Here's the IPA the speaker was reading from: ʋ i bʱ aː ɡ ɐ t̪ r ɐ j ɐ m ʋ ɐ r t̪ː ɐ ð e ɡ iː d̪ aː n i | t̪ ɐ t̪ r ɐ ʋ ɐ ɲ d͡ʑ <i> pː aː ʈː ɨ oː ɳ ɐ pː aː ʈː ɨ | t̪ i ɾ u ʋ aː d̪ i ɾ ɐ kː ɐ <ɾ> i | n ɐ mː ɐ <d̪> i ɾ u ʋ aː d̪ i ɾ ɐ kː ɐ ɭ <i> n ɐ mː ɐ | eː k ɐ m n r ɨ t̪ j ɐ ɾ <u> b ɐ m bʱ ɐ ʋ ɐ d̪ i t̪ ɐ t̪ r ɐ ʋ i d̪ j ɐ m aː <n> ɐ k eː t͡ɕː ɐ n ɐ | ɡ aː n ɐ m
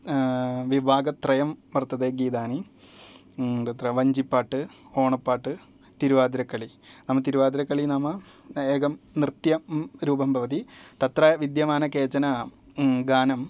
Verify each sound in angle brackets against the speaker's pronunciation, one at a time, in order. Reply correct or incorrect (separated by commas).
correct, incorrect, incorrect, correct, incorrect, correct